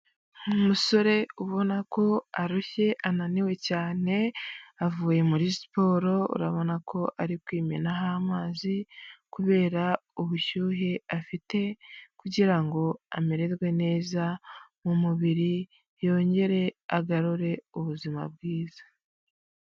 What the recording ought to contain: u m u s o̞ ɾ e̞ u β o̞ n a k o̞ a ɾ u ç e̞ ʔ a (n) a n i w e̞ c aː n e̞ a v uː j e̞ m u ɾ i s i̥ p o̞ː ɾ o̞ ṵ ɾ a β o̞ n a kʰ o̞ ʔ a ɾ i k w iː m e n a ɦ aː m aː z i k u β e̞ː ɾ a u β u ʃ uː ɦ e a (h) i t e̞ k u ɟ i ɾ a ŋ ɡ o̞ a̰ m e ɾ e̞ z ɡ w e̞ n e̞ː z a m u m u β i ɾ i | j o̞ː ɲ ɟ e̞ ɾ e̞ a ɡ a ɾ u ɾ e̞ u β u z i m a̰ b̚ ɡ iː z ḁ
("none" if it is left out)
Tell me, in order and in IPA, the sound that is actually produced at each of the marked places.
n, f

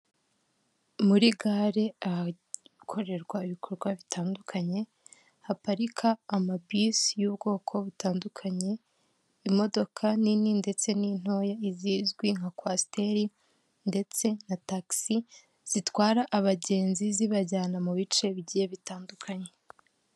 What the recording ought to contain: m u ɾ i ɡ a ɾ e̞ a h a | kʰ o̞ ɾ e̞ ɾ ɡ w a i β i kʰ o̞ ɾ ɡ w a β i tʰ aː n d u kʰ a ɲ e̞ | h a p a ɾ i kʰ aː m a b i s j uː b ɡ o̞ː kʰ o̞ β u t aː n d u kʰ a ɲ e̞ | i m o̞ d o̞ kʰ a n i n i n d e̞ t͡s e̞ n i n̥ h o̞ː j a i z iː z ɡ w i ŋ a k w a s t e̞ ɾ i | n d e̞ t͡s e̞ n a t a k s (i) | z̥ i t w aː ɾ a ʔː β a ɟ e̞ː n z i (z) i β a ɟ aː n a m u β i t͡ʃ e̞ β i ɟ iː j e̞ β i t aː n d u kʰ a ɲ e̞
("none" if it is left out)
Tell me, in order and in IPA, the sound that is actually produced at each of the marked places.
i, z

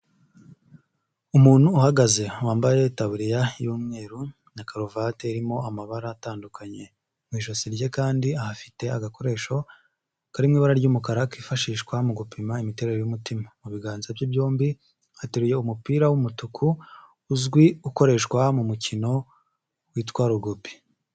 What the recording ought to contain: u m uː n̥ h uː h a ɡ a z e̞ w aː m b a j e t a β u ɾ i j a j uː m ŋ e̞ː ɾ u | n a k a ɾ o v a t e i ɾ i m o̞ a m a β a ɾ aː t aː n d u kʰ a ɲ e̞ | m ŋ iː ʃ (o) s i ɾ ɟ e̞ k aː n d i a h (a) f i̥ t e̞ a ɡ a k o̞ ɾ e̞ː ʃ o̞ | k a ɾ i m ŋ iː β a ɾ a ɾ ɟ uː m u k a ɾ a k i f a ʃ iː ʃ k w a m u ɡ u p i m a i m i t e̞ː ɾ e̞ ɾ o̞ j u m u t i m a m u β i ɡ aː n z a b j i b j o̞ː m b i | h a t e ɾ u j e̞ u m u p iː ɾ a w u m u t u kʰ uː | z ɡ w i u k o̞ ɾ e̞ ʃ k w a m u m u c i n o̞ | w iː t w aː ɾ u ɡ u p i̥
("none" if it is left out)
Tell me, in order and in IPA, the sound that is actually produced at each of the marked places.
o, a

